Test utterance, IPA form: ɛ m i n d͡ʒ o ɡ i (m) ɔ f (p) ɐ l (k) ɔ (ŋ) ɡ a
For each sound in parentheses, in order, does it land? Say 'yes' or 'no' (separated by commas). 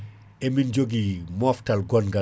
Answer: yes, no, no, no